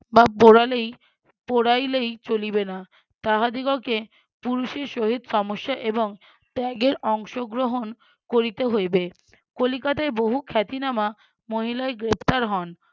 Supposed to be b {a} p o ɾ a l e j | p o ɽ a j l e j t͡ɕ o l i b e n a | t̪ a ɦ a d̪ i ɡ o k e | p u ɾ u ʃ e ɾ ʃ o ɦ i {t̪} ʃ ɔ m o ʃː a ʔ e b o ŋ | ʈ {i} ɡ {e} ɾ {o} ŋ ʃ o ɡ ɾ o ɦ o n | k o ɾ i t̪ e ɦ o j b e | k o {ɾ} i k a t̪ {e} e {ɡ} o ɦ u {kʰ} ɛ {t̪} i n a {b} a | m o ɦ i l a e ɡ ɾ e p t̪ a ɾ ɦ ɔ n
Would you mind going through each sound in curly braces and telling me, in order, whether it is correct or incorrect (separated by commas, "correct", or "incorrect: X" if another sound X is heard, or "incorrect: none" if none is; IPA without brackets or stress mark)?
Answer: correct, incorrect: d̪, incorrect: ɛ, correct, incorrect: ɔ, incorrect: l, incorrect: a, incorrect: b, correct, correct, incorrect: m